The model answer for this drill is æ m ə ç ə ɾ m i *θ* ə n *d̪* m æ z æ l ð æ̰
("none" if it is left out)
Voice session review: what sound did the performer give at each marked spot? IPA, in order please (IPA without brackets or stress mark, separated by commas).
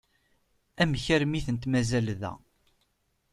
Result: θ, t̪